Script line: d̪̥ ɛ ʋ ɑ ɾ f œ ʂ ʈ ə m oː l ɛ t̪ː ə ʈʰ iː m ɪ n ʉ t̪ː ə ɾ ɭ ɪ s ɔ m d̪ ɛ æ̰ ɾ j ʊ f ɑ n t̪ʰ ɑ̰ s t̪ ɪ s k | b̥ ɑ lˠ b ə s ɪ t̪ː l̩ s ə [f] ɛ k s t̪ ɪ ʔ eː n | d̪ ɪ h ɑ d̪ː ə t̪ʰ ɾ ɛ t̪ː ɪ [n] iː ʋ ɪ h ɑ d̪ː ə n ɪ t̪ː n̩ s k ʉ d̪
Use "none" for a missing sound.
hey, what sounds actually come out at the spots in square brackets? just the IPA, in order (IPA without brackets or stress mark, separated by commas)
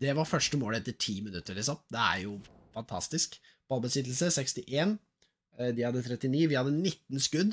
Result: s, n